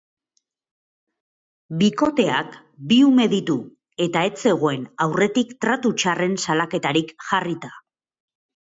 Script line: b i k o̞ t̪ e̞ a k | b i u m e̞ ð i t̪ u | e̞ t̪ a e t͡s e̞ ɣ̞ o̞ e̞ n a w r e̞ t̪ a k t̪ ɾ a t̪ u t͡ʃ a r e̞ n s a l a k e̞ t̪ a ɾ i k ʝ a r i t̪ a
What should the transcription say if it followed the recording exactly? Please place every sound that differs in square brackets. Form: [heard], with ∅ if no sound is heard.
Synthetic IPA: b i k o̞ t̪ e̞ a k | b i u m e̞ ð i t̪ u | e̞ t̪ a e t͡s e̞ ɣ̞ o̞ e̞ n a w r e̞ t̪ [i] k t̪ ɾ a t̪ u t͡ʃ a r e̞ n s a l a k e̞ t̪ a ɾ i k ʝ a r i t̪ a